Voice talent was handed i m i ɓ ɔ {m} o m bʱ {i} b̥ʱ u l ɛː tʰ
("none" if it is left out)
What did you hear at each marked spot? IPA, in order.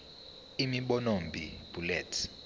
n, i

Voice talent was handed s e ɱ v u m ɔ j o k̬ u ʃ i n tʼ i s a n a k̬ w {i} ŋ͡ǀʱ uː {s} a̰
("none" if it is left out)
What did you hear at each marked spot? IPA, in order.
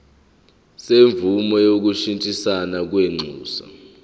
e, s

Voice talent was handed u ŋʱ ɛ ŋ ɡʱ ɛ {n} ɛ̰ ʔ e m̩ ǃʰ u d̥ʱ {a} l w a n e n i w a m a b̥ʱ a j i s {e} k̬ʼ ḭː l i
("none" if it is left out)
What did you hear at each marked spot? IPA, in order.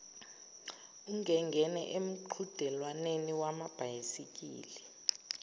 n, ɛ, i

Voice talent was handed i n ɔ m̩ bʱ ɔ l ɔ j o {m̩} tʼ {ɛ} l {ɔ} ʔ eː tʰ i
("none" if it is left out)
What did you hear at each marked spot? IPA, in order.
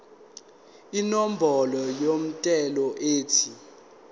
m̩, ɛ, ɔ

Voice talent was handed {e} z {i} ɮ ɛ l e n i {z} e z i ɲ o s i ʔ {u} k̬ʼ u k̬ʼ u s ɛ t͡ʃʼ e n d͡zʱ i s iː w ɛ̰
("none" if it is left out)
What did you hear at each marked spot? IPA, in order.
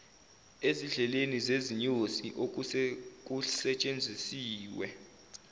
e, i, z, o

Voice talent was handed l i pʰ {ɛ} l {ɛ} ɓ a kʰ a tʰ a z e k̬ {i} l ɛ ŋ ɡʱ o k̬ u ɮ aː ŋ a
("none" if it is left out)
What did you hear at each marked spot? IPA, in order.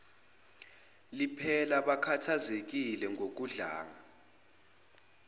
ɛ, a, i

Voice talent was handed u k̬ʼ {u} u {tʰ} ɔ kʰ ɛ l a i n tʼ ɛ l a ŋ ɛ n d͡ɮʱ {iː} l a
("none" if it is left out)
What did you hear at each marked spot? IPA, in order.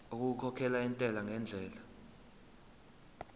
u, kʰ, ɛː

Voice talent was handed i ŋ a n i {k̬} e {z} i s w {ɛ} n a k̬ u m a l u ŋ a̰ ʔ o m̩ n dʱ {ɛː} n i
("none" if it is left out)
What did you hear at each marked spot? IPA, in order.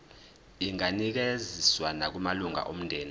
k̬, z, a, ɛː

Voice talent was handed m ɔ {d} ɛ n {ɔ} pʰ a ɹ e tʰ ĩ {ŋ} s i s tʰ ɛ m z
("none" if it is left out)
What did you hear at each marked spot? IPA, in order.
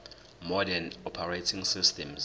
d, ɔ, ŋ

